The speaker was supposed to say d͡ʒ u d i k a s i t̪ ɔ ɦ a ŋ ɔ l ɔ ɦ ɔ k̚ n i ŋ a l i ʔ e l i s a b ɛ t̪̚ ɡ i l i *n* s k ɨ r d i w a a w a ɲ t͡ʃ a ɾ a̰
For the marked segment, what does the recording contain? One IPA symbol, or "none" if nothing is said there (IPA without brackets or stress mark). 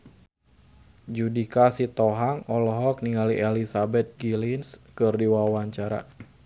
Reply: n